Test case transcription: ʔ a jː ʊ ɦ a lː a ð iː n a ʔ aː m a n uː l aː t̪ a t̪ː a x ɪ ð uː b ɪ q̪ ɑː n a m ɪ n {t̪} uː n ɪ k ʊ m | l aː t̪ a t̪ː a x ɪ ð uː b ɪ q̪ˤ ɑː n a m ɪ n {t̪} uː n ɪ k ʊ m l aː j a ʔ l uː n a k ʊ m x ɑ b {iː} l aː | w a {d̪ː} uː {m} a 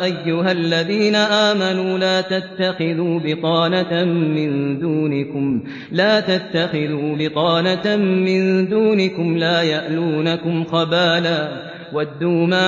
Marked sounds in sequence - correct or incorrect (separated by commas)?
incorrect, incorrect, incorrect, correct, correct